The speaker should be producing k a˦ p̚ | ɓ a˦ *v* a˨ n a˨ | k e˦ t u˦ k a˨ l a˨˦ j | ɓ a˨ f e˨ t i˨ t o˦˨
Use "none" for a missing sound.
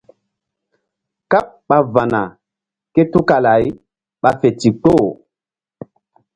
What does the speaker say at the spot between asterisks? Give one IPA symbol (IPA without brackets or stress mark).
v